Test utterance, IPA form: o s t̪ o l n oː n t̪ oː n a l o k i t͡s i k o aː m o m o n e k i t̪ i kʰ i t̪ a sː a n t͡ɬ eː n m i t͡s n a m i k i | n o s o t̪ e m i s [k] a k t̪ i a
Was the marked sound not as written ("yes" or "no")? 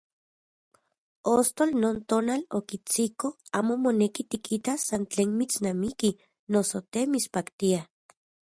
yes